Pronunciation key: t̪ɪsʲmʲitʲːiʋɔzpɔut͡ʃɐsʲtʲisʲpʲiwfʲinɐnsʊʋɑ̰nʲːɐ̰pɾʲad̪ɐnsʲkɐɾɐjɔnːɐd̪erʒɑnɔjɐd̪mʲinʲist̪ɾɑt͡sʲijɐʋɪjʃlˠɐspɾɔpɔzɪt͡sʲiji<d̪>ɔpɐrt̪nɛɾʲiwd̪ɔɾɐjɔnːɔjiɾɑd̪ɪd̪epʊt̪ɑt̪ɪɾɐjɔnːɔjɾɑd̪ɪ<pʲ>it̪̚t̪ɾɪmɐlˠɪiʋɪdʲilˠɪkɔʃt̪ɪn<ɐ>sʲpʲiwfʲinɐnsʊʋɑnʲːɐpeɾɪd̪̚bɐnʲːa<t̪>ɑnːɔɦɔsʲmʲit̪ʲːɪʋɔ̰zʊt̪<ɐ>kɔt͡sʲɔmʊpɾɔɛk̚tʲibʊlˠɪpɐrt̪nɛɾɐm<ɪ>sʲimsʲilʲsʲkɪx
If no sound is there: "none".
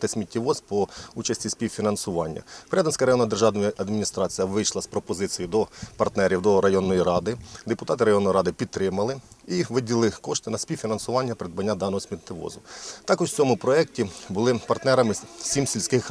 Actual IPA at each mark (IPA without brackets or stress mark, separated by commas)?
d̪, pʲ, ɐ, d̪, ɑ, ɪ